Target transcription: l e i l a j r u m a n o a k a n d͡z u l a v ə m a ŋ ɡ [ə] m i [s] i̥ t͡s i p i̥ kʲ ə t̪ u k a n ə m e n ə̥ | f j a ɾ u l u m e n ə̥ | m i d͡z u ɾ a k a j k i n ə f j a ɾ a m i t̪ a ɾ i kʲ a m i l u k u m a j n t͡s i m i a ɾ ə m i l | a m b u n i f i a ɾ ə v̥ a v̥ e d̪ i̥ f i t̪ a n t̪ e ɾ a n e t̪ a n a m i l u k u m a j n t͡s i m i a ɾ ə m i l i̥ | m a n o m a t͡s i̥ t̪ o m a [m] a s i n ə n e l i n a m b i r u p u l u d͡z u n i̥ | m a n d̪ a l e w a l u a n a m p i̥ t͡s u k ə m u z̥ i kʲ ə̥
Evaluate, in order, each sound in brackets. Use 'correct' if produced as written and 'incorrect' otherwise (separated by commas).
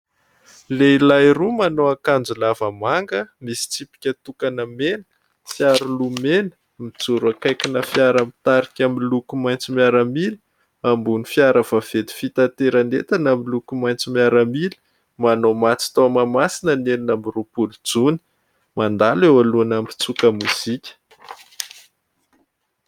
correct, correct, correct